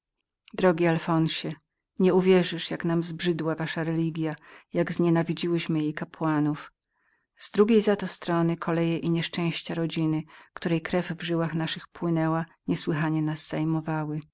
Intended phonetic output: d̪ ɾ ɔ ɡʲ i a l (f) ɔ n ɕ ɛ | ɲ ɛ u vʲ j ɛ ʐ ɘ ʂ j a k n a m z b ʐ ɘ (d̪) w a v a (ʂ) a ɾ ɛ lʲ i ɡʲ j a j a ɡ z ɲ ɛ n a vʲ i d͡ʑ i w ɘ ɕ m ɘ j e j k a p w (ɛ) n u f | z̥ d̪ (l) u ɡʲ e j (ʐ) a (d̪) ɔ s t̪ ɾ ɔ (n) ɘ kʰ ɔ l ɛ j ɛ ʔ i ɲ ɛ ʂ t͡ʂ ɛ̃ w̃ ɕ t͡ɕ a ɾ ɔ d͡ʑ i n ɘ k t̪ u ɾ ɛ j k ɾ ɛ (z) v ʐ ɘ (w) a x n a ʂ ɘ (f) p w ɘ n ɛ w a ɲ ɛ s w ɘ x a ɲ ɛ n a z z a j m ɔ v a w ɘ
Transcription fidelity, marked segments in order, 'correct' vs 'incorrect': correct, correct, correct, incorrect, incorrect, incorrect, incorrect, correct, incorrect, correct, incorrect

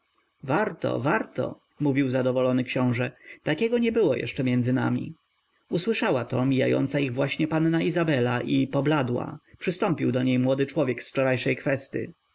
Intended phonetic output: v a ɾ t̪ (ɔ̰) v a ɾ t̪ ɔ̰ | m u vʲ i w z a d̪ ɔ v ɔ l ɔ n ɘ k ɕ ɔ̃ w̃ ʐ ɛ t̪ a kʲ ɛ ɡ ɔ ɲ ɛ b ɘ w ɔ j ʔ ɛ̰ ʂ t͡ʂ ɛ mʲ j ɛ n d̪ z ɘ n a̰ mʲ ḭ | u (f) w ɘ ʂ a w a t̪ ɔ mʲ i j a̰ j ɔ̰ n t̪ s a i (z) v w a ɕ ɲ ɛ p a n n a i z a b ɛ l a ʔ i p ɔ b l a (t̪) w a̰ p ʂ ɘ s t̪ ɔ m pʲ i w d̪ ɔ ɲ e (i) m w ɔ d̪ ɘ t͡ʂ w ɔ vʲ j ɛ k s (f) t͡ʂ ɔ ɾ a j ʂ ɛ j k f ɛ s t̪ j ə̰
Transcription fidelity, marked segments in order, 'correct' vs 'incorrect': correct, incorrect, incorrect, incorrect, incorrect, correct

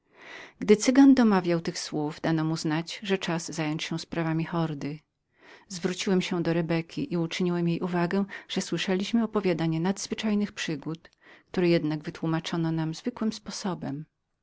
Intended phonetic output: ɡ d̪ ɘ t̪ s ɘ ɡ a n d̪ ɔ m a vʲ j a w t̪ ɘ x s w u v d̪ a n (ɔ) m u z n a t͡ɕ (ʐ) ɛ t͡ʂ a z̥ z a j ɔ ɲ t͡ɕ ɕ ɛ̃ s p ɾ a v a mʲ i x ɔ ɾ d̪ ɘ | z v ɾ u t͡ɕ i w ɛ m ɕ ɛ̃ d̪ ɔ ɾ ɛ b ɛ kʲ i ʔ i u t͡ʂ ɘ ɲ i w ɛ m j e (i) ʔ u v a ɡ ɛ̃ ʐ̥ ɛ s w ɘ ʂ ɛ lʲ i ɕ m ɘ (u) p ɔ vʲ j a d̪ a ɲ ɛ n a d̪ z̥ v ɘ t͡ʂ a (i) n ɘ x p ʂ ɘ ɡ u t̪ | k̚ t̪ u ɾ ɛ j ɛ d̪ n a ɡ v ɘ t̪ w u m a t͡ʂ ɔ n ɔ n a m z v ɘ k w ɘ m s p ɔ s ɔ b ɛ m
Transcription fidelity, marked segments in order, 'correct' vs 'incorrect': correct, correct, incorrect, incorrect, incorrect

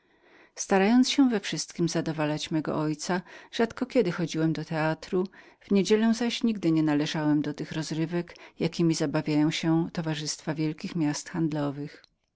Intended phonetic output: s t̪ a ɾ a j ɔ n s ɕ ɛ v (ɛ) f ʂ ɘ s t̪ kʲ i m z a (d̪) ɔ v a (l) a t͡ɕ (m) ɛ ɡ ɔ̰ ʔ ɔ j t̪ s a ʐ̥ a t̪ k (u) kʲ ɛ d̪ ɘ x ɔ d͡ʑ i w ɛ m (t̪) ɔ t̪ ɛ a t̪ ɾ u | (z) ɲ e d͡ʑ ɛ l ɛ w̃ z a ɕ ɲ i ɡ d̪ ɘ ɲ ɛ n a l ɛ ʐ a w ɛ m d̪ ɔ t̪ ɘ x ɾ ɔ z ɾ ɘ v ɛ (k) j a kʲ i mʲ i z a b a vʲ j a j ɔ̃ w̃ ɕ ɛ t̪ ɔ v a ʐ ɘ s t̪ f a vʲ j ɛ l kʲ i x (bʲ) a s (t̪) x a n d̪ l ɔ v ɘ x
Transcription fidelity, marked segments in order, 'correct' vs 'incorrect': correct, correct, correct, correct, incorrect, incorrect, incorrect, correct, incorrect, correct

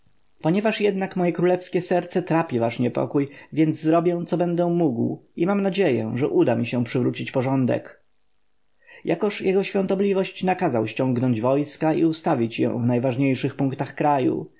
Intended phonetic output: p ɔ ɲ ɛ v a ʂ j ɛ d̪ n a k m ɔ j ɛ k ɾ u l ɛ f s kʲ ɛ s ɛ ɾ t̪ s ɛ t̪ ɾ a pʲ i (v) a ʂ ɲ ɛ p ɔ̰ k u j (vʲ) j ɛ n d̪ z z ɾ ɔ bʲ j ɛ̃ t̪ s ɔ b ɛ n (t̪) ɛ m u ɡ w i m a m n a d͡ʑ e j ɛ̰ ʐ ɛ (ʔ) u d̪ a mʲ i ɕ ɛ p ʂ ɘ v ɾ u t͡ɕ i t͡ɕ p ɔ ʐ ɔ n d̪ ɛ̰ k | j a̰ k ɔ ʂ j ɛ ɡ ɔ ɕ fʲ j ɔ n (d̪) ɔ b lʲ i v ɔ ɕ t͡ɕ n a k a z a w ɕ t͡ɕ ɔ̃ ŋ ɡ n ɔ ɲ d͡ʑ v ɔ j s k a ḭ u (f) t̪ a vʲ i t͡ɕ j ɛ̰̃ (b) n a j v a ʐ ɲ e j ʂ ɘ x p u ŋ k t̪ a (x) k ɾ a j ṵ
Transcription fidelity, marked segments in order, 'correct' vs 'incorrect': correct, correct, incorrect, correct, incorrect, incorrect, incorrect, correct

